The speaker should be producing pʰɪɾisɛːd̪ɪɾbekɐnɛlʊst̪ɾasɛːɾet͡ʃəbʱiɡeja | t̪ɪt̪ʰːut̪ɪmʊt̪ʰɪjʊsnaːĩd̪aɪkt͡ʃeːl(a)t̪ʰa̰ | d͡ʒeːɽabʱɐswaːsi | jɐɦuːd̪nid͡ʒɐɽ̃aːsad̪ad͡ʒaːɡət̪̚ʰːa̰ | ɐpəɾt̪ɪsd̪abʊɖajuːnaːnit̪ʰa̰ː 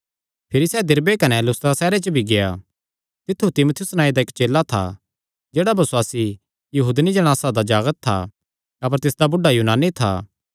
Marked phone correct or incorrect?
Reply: correct